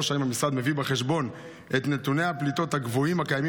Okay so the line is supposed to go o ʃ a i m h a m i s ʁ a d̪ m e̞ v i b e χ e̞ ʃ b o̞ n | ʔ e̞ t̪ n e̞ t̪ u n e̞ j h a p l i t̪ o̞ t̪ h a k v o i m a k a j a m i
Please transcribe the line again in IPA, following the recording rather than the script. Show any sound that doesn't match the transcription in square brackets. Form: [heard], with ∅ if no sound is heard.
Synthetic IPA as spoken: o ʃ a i m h a m i s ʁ a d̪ m e̞ v i b e χ e̞ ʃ b o̞ n | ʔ e̞ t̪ n e̞ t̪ u n e̞ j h a p l i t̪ o̞ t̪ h a [ɡ] v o i m a k a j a m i